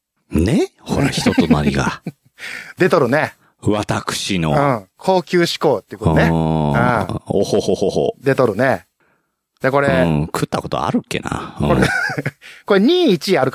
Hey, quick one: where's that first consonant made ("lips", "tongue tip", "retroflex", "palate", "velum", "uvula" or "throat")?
tongue tip